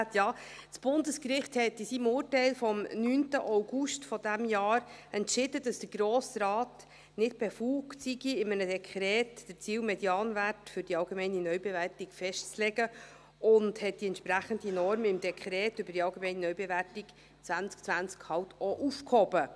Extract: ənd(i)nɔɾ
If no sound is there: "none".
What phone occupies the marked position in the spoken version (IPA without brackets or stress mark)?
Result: i